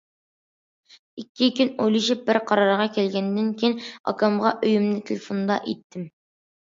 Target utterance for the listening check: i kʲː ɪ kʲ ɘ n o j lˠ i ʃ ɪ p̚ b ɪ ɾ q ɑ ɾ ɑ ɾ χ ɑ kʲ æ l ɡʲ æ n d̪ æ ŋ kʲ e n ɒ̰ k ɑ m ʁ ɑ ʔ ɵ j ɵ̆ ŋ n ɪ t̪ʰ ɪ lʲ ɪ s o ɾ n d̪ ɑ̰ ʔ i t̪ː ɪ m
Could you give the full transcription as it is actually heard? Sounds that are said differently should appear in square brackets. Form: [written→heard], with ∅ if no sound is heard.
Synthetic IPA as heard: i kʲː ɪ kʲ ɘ n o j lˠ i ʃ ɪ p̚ b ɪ ɾ q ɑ ɾ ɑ ɾ [χ→ʁ] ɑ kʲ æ l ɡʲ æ n d̪ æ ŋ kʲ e n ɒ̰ k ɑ m ʁ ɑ ʔ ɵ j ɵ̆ [ŋ→m] n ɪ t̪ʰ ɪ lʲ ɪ [s→f] o [ɾ→∅] n d̪ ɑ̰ ʔ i t̪ː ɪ m